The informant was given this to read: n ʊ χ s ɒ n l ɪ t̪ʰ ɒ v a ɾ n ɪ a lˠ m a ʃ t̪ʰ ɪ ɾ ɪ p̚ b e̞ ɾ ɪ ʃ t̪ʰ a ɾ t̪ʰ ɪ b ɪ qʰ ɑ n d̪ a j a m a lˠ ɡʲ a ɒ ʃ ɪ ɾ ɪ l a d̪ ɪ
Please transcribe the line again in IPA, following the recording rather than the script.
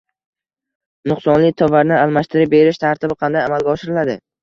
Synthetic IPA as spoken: n ʊ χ s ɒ n l ɪ t̪ʰ ɒ v a ɾ n ɪ a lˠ m a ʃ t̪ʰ ɪ ɾ ɪ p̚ b e̞ ɾ ɪ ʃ t̪ʰ a ɾ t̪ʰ ɪ b ɪ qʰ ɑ n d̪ a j a m a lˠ ɡʲ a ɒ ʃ ɪ ɾ ɪ l a d̪ ɪ